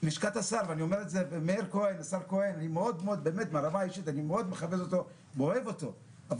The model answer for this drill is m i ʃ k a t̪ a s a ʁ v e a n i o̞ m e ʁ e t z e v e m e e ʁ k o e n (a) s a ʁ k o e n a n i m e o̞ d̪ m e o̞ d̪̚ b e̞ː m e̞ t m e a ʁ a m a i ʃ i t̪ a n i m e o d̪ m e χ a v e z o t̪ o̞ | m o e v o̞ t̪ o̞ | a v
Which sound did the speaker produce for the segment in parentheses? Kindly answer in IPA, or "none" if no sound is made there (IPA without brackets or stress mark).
a